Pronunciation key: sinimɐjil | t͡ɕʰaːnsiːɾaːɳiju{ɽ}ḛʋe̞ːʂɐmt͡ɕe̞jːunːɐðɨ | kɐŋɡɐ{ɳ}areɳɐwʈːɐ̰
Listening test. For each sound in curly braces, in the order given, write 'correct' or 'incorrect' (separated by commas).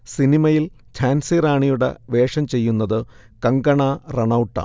correct, correct